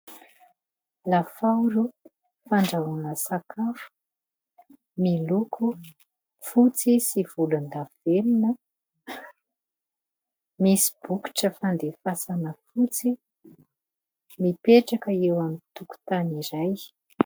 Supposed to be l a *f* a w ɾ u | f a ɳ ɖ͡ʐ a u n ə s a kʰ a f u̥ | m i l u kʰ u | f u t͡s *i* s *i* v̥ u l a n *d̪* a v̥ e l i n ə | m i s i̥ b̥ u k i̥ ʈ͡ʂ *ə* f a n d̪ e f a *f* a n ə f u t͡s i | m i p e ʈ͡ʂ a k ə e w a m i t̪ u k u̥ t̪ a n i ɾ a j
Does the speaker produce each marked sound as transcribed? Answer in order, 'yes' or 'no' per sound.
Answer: yes, yes, yes, yes, yes, no

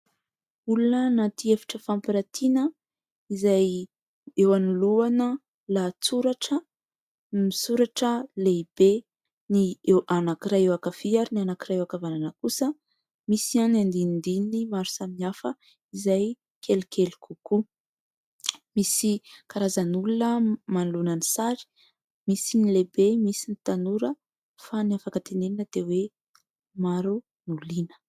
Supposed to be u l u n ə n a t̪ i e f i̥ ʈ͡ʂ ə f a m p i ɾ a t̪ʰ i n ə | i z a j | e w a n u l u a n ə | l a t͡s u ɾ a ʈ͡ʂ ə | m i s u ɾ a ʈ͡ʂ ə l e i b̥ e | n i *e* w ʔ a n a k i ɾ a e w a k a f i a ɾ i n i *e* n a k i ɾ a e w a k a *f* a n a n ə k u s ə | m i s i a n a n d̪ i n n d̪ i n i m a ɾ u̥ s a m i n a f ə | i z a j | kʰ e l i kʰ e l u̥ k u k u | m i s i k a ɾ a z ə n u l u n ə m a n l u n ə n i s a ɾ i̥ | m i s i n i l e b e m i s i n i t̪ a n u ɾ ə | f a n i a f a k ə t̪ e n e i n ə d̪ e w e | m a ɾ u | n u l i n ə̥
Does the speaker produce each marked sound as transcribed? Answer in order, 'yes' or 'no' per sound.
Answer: yes, no, no

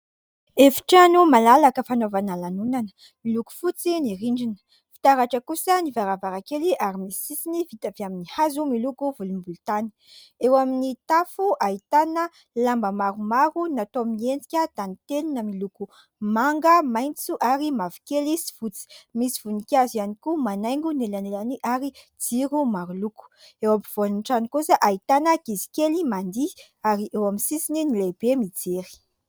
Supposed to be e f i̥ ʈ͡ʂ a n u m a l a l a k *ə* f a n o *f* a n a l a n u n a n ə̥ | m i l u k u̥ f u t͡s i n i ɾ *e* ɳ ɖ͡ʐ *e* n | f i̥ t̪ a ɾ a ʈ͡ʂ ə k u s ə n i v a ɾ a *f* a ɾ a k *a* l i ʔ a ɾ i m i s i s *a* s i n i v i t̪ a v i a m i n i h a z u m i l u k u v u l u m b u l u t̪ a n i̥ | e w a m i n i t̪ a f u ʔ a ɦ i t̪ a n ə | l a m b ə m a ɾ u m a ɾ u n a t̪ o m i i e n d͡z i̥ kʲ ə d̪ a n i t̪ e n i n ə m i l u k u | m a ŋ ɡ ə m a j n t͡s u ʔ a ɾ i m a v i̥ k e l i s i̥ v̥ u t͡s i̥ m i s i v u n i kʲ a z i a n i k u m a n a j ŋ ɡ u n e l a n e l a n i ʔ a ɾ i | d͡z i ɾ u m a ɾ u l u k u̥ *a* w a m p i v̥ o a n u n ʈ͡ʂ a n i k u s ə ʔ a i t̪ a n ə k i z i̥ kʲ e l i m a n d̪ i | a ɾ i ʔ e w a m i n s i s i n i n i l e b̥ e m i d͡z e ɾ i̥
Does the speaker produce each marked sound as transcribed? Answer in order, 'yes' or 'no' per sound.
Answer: yes, no, no, no, no, no, no, no

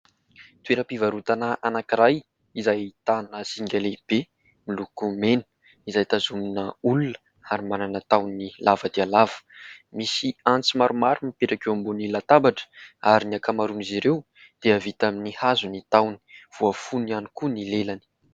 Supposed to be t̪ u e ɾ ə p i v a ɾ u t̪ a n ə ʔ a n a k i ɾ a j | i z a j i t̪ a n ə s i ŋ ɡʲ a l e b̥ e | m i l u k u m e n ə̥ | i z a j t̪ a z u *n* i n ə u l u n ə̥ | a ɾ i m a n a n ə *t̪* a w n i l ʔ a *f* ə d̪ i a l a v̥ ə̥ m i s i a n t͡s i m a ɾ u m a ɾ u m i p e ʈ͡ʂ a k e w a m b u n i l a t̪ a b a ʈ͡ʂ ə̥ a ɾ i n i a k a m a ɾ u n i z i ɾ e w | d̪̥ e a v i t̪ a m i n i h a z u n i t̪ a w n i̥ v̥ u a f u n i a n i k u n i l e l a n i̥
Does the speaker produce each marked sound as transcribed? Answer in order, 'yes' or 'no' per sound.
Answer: no, yes, no

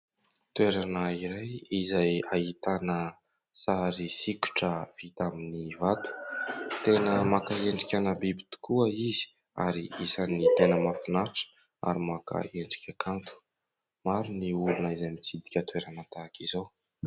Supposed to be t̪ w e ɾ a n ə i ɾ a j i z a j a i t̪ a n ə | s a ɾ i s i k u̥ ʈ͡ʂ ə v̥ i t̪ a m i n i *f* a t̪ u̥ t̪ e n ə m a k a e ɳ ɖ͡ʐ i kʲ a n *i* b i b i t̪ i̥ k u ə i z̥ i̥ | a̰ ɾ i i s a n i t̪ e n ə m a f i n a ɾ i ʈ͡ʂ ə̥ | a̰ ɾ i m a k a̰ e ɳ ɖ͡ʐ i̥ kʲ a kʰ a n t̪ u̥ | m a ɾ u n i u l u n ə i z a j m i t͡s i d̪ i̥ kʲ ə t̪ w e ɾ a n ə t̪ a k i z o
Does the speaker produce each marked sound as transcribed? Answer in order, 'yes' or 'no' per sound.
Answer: no, no

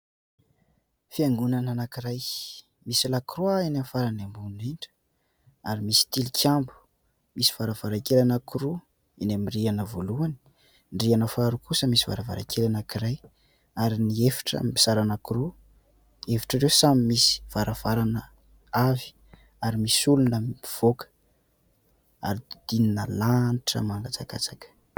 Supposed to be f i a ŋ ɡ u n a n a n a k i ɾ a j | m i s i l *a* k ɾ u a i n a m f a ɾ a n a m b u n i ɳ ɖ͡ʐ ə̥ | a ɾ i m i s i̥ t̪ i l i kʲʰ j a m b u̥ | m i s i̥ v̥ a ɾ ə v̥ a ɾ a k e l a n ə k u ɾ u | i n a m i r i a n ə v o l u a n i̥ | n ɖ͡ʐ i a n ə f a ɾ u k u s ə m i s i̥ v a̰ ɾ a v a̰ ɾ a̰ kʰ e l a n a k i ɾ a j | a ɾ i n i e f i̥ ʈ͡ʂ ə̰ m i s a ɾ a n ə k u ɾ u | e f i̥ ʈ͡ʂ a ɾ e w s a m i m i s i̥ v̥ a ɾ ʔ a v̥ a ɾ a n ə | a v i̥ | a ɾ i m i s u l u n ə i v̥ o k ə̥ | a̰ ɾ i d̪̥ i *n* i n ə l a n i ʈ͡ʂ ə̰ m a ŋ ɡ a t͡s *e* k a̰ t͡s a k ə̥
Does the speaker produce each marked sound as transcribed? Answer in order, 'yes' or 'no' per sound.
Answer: yes, yes, no

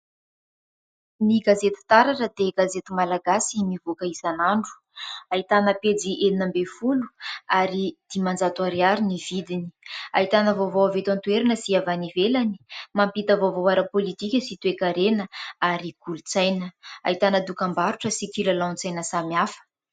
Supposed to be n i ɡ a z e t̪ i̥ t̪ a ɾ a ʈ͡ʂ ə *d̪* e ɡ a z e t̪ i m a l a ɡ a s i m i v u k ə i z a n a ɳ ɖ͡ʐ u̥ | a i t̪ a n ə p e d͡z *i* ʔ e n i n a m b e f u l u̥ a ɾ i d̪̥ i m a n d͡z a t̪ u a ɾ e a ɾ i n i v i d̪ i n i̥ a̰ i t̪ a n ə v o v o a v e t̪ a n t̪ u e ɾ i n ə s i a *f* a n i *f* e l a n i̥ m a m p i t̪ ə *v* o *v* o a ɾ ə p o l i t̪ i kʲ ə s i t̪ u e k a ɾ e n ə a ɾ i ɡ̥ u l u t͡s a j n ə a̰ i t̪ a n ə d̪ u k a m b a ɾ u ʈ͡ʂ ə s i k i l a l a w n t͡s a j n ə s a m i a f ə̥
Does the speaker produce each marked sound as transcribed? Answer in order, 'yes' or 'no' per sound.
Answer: yes, yes, no, no, yes, yes

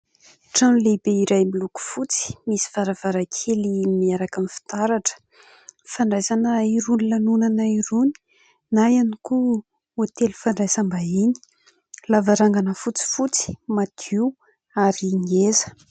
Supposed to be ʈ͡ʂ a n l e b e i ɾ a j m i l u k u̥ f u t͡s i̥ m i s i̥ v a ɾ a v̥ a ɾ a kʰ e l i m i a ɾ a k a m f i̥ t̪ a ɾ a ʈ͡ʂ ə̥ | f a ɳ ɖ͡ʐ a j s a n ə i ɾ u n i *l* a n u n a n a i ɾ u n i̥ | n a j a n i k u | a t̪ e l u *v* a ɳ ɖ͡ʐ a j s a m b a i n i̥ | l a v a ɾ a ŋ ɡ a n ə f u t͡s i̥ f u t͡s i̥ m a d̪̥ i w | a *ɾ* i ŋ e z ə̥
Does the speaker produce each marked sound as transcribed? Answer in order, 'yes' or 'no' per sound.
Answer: yes, no, yes

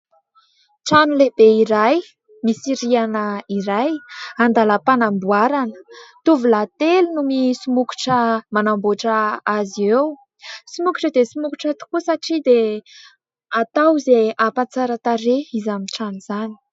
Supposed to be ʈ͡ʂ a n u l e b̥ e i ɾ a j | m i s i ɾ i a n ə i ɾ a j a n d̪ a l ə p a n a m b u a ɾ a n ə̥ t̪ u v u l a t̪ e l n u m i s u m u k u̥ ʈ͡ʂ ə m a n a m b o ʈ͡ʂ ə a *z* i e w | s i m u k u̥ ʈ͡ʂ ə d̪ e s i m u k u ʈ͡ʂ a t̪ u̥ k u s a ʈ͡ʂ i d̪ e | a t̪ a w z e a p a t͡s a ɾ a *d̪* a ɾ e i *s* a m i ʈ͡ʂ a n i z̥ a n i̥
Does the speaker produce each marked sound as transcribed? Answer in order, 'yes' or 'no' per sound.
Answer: yes, no, no

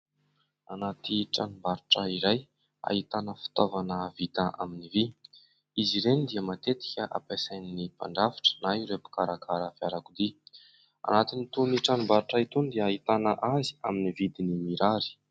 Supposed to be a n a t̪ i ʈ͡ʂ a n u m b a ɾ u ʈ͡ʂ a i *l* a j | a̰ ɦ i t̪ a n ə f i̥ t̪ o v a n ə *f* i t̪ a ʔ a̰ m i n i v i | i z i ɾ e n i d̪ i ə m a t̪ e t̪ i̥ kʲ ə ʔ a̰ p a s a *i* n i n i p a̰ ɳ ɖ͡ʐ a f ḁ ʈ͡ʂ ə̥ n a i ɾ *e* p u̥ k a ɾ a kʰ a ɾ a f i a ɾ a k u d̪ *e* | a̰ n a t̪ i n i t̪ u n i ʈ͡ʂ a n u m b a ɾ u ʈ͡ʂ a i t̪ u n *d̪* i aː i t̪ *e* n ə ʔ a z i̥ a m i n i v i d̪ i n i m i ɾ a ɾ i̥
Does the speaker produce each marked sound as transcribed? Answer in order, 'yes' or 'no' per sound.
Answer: no, no, no, yes, no, yes, no

